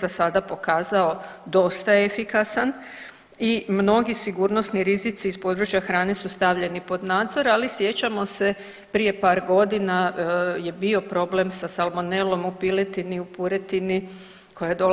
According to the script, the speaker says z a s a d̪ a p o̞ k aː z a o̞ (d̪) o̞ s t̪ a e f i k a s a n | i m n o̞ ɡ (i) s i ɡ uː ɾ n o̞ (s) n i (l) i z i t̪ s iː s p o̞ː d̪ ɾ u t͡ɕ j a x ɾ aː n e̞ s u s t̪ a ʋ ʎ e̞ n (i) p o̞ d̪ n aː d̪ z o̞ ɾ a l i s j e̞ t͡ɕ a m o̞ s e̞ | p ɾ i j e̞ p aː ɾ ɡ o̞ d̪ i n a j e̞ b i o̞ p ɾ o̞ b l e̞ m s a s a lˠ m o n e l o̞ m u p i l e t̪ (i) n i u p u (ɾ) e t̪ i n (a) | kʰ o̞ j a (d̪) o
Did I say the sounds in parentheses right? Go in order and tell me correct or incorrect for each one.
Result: correct, correct, correct, incorrect: ɾ, correct, correct, correct, incorrect: i, correct

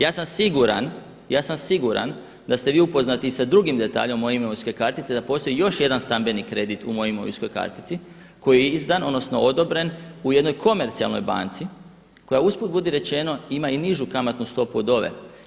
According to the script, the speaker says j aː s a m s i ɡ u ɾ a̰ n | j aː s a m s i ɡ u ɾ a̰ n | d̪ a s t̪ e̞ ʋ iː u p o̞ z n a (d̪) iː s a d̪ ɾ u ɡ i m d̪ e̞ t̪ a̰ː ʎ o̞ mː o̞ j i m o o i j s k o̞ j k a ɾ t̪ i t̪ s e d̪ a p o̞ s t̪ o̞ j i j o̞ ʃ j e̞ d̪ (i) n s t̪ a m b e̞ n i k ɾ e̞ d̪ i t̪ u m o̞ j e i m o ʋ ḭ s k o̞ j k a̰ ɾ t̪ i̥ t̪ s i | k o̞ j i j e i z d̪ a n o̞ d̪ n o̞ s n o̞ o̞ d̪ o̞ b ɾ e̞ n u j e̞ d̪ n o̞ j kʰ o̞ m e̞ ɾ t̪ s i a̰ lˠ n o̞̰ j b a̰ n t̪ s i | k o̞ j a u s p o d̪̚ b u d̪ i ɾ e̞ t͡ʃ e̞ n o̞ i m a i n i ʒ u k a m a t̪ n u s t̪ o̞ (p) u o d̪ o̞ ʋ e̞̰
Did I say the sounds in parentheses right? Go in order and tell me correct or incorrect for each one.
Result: incorrect: t̪, incorrect: a, correct

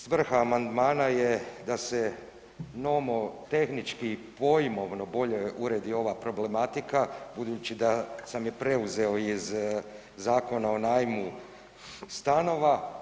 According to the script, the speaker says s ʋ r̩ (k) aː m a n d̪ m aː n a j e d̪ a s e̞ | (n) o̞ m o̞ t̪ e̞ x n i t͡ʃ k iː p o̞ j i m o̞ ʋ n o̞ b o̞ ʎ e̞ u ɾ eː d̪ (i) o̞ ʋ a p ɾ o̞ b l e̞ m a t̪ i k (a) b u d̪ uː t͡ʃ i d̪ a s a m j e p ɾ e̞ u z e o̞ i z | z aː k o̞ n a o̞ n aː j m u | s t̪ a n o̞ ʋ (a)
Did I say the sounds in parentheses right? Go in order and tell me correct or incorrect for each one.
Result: incorrect: x, correct, correct, correct, correct

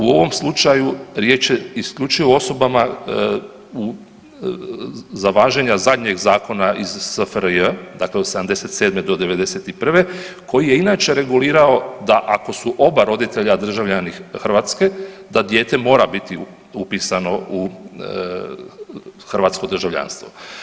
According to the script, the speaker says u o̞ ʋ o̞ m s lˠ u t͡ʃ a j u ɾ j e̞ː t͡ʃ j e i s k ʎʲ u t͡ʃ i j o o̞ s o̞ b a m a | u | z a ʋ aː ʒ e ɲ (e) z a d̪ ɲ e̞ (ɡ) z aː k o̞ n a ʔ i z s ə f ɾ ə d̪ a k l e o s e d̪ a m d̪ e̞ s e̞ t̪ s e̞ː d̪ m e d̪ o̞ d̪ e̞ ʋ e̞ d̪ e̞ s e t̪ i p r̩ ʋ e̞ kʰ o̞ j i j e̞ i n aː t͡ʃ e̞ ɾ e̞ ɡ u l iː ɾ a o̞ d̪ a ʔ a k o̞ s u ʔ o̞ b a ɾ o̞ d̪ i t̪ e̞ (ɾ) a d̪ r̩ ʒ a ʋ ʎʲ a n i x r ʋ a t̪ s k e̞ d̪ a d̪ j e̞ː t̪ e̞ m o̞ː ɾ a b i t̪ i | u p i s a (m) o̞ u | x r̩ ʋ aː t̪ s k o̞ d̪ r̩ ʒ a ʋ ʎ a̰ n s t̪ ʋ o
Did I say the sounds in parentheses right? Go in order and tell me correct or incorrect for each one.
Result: incorrect: a, correct, incorrect: ʎ, incorrect: n

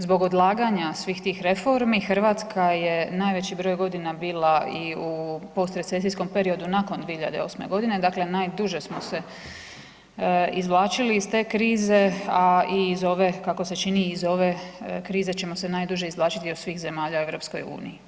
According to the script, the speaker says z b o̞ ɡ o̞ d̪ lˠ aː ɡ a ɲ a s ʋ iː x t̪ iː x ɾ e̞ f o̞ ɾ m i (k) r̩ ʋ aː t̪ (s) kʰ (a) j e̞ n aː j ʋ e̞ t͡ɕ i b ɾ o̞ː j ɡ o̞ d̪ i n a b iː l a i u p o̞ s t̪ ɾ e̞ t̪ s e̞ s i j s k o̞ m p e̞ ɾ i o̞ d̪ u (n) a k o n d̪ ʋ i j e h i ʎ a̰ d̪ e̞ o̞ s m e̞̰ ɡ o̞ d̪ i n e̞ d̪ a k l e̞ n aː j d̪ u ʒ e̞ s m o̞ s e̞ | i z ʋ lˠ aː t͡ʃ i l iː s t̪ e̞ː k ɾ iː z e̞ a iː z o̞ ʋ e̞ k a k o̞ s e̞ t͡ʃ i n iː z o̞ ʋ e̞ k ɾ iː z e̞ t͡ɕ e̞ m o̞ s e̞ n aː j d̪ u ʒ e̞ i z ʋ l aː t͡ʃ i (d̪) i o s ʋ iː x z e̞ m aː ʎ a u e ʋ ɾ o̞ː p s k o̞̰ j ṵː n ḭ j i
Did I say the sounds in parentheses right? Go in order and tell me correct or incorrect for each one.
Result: incorrect: x, correct, correct, correct, incorrect: t̪

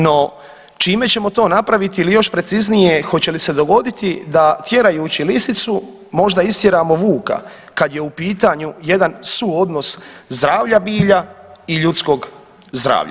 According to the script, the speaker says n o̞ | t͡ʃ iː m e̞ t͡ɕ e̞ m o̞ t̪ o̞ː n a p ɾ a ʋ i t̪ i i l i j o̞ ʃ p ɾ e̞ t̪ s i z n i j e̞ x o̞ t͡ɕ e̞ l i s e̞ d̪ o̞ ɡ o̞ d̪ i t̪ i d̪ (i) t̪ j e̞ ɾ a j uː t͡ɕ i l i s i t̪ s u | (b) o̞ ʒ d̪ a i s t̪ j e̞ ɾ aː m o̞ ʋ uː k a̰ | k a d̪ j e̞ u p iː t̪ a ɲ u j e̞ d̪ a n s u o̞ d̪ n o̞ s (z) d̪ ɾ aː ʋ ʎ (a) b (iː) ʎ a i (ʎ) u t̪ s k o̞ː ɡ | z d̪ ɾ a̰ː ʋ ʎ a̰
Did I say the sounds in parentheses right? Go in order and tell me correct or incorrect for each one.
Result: incorrect: a, incorrect: m, correct, correct, correct, correct

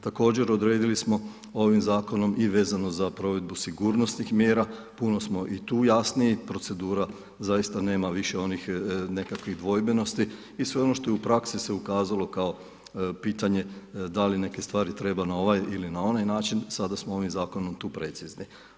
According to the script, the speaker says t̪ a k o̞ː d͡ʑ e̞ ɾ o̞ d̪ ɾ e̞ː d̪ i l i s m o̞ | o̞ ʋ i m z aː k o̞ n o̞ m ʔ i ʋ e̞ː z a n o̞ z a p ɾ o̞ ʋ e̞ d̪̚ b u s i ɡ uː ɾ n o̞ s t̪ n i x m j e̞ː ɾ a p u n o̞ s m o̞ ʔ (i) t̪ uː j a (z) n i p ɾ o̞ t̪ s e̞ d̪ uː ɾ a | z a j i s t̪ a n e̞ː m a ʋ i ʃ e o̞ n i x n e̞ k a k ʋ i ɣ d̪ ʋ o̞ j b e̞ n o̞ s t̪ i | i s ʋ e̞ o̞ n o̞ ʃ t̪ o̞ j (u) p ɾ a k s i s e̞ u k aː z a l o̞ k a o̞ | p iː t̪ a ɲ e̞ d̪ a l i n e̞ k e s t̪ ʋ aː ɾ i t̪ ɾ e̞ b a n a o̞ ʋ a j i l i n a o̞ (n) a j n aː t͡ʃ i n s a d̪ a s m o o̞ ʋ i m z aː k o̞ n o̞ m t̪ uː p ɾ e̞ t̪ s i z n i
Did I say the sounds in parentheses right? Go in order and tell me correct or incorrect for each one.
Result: correct, incorrect: s, correct, correct

